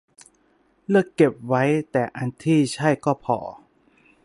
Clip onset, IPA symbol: l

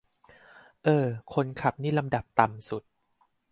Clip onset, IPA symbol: ʔ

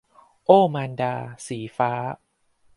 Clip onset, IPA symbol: ʔ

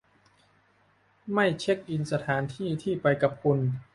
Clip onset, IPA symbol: m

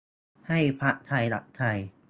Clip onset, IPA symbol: h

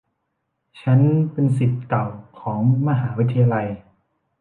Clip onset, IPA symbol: t͡ɕʰ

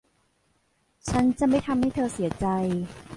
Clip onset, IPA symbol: t͡ɕʰ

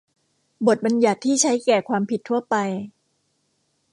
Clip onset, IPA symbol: b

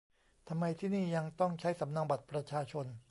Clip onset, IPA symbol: t̪ʰ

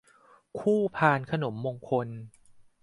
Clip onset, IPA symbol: kʰ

